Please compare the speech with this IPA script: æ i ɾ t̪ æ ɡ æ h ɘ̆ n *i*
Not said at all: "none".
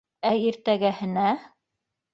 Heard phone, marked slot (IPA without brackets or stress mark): æ